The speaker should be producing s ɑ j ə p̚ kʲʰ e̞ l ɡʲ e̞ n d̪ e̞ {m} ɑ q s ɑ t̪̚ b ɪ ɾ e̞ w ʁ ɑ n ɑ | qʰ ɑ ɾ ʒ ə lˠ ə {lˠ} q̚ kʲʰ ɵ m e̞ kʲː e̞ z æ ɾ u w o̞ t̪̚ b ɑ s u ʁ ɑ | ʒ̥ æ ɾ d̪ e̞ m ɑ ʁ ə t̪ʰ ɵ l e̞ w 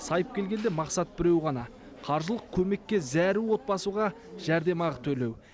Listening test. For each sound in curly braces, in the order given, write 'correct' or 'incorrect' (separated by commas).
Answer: correct, incorrect